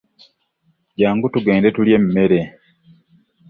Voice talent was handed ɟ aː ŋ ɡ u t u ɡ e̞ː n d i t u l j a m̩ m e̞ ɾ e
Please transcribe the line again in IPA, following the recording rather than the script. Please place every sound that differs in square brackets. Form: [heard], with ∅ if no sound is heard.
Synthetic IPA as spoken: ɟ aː ŋ ɡ u t u ɡ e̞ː n d [e] t u l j [e] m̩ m e̞ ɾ e